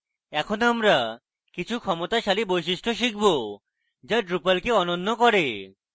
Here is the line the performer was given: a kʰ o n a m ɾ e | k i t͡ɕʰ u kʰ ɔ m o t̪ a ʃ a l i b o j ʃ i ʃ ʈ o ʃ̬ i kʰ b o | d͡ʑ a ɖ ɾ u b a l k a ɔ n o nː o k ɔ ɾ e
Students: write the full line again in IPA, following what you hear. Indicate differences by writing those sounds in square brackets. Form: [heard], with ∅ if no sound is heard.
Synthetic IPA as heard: [ɛ] kʰ o n a m ɾ [a] | k i t͡ɕʰ u kʰ ɔ m o t̪ a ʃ a l i b o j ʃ i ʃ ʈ o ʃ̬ i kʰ b o | d͡ʑ a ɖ ɾ u [p] a l k [e] ɔ n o nː o k ɔ ɾ e